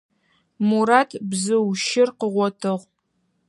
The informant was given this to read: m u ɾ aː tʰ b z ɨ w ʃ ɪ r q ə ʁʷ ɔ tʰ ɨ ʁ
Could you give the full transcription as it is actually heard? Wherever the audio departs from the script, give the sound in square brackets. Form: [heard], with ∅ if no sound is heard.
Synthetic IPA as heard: m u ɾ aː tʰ b z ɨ w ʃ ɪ r q ə ʁʷ ɔ tʰ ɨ ʁ